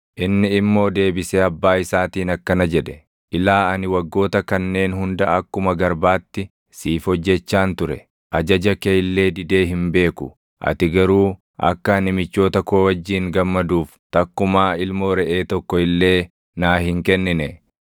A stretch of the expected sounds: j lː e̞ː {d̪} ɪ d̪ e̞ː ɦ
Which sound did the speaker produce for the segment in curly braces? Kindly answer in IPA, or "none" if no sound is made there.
d̪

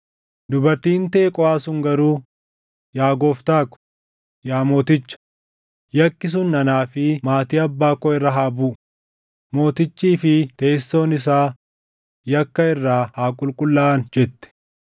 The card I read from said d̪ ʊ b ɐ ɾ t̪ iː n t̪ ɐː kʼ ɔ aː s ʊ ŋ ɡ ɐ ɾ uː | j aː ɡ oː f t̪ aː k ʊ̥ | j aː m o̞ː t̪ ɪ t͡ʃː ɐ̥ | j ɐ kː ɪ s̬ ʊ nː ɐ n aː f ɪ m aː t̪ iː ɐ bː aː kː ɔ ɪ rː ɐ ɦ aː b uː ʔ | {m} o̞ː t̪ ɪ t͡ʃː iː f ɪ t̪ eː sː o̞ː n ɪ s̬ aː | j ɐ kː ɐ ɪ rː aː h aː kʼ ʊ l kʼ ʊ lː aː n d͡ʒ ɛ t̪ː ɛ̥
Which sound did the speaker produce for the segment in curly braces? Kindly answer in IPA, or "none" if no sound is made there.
m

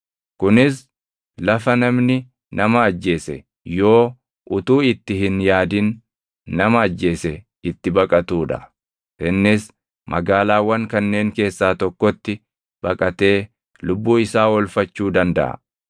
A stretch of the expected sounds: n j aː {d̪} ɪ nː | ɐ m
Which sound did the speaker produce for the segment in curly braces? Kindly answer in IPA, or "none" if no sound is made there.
d̪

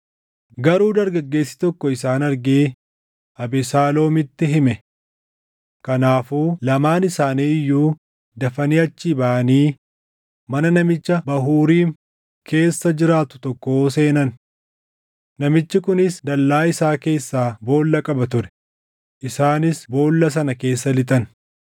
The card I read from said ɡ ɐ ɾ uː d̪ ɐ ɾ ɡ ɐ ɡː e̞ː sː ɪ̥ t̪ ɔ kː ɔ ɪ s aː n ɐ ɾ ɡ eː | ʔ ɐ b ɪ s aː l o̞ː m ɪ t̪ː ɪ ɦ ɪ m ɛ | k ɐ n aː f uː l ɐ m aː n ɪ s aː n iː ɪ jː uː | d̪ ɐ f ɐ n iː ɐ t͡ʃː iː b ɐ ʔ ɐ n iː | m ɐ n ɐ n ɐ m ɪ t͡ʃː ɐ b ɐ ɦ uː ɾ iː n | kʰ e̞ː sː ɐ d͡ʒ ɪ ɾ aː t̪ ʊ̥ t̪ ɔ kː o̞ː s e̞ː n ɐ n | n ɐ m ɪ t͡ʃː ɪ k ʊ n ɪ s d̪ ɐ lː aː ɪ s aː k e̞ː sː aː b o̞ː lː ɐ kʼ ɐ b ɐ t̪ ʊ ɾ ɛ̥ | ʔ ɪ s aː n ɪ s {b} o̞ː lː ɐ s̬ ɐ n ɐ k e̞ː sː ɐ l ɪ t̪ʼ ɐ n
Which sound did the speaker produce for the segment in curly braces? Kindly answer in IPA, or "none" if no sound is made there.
b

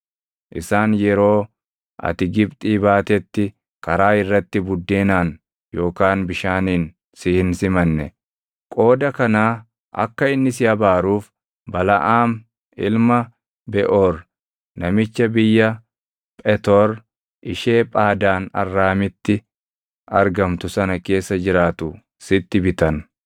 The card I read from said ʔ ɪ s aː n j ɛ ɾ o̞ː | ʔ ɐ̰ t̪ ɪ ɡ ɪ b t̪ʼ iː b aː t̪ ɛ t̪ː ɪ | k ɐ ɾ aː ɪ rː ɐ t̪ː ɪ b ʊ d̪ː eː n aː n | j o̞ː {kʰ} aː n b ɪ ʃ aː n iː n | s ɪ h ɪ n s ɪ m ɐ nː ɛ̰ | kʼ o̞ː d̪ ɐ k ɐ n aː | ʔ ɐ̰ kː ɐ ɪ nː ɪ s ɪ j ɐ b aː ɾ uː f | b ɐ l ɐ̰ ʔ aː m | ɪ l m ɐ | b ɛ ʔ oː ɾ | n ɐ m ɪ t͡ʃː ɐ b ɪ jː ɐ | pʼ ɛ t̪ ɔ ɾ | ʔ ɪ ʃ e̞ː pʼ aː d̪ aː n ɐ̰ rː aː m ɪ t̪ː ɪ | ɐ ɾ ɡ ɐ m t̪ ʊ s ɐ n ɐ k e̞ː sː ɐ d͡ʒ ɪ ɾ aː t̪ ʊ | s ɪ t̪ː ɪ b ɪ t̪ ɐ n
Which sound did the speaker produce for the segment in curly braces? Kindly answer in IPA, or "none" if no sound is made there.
k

